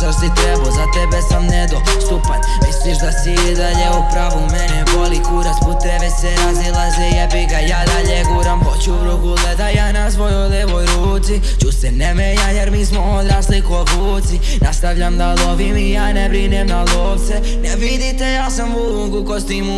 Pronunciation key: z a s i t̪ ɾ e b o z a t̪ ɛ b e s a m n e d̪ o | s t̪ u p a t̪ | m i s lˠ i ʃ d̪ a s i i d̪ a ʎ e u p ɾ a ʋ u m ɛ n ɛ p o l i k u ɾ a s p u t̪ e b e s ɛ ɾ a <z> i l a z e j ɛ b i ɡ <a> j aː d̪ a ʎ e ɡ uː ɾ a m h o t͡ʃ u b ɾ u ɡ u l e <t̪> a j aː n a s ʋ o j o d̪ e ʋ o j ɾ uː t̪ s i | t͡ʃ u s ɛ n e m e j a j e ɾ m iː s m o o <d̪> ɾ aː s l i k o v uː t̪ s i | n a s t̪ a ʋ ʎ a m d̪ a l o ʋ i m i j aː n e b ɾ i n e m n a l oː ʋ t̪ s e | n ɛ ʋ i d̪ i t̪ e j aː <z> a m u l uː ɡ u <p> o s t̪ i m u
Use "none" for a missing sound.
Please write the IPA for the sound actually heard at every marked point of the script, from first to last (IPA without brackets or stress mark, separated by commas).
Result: z, a, d̪, d̪, s, k